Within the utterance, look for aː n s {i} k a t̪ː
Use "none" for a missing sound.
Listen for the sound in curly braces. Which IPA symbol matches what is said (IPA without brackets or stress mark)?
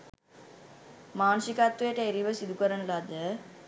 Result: i